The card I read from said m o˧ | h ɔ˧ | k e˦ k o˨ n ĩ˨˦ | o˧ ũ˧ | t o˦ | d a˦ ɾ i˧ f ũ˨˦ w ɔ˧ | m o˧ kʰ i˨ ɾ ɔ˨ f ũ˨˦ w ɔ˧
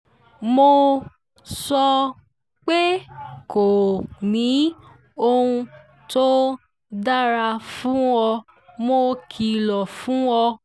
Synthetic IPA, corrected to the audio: m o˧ | s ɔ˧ | k͡p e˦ k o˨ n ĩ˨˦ | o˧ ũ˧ | t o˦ | d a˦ ɾ a˧ f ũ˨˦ w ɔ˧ | m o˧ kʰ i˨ l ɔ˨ f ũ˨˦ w ɔ˧